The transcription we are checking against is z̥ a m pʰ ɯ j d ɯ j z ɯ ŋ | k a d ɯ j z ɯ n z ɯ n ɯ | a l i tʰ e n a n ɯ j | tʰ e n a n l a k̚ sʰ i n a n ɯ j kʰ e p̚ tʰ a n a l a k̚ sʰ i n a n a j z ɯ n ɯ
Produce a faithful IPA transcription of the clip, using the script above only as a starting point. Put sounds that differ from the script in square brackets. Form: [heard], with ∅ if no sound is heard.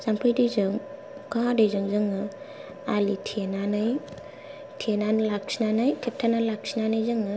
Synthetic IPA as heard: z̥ a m pʰ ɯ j d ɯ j z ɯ ŋ | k a d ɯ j z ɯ [ŋ] z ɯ [ŋ] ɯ | a l i tʰ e n a n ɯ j | tʰ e n a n l a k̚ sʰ i n a n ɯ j [tʰ] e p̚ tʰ a n a l a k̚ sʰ i n a n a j z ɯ [ŋ] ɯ

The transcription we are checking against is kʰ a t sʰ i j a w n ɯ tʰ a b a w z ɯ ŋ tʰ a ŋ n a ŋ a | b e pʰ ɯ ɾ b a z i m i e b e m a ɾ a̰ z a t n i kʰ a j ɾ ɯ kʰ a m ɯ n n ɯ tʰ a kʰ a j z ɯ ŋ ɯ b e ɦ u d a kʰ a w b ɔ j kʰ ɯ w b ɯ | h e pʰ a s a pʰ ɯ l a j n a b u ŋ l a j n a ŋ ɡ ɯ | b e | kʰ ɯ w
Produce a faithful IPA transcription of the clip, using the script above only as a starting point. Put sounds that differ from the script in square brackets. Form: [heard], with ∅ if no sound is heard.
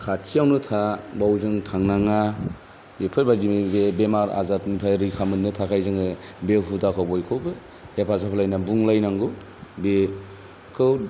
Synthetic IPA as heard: kʰ a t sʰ i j a w n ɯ tʰ a b a w z ɯ ŋ tʰ a ŋ n a ŋ a | b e pʰ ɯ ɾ b a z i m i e b e m a ɾ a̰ z a t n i [pʰ] a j ɾ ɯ kʰ a m ɯ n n ɯ tʰ a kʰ a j z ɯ ŋ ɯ b e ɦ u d a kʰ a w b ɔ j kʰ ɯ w b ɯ | h e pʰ a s a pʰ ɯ l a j n a b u ŋ l a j n a ŋ ɡ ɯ | b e | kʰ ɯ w

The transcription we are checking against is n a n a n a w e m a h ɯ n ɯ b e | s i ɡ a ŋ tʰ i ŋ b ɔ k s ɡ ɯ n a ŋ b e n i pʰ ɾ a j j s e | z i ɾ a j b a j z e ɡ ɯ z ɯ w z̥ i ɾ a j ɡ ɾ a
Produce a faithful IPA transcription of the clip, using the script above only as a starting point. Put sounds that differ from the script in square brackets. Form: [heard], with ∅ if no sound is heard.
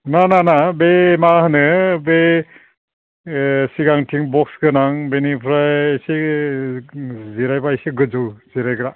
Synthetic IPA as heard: n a n a n a [b] e m a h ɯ n ɯ b e | s i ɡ a ŋ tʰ i ŋ b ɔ k s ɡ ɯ n a ŋ b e n i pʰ ɾ a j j s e | z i ɾ a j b a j [s] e ɡ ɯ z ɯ w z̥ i ɾ a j ɡ ɾ a

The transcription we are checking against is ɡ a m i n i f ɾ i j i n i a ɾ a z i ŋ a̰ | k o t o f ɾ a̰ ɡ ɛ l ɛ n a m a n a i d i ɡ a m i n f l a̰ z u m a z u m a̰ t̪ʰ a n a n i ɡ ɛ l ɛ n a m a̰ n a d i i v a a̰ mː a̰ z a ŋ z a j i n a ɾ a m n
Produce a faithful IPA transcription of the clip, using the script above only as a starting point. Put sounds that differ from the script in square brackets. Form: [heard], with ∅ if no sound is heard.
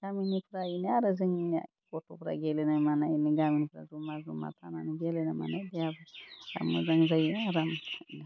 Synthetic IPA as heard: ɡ a m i n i f ɾ [a] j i n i a ɾ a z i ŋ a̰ | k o t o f ɾ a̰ ɡ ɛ l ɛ n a m a n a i [n] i ɡ a m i n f [ɾ] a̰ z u m a z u m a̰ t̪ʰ a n a n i ɡ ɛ l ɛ n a m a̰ n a d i [a] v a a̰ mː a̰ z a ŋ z a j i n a ɾ a m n

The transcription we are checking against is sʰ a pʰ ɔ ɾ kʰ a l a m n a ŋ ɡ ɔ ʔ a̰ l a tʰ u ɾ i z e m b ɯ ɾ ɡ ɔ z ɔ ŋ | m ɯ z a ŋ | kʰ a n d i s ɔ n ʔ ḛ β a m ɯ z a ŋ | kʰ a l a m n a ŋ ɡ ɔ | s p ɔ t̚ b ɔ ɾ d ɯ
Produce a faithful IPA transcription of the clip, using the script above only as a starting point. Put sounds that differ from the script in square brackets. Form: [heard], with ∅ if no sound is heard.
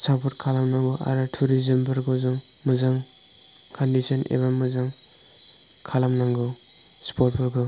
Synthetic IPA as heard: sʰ a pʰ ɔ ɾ kʰ a l a m n a ŋ ɡ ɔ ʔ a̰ [ɾ] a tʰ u ɾ i z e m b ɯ ɾ ɡ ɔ z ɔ ŋ | m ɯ z a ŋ | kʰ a n d i s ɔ n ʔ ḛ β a m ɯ z a ŋ | kʰ a l a m n a ŋ ɡ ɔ | s p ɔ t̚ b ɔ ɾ [ɡ] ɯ

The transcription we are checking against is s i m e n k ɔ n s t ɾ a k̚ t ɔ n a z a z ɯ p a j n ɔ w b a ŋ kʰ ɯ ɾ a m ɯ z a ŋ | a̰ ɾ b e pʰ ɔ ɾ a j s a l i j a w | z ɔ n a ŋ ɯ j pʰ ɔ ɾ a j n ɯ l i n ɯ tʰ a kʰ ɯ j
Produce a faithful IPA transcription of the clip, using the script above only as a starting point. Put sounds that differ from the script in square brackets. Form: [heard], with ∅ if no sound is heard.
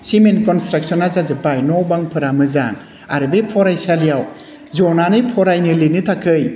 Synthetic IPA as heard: s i m e n k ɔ n s t ɾ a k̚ [s] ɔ n a z a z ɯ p a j n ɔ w b a ŋ [pʰ] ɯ ɾ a m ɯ z a ŋ | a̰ ɾ b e pʰ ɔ ɾ a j s a l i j a w | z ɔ n a [n] ɯ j pʰ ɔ ɾ a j n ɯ l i n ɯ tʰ a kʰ ɯ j

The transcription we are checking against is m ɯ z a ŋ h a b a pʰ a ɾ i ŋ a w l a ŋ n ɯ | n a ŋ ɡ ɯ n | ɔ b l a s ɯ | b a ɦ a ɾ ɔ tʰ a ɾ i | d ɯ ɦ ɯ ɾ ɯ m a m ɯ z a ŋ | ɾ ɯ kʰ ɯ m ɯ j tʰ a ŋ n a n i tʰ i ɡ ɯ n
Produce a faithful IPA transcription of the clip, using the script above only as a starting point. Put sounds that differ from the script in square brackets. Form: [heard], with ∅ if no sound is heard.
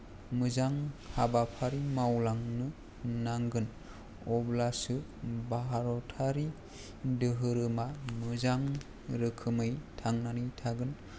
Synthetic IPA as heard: m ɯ z a ŋ h a b a pʰ a ɾ i [m] a w l a ŋ n ɯ | n a ŋ ɡ ɯ n | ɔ b l a s ɯ | b a ɦ a ɾ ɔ tʰ a ɾ i | d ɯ ɦ ɯ ɾ ɯ m a m ɯ z a ŋ | ɾ ɯ kʰ ɯ m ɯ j tʰ a ŋ n a n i tʰ [a] ɡ ɯ n

